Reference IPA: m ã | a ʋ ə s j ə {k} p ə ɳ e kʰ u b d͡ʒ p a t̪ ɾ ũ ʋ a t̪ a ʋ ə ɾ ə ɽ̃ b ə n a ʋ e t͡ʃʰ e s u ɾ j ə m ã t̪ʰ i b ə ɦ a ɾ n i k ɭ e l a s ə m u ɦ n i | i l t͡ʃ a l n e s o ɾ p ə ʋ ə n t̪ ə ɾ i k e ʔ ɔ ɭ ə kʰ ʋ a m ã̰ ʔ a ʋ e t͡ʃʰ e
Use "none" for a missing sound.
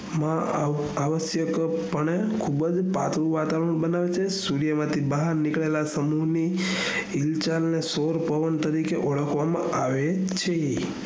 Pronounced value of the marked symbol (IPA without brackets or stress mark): k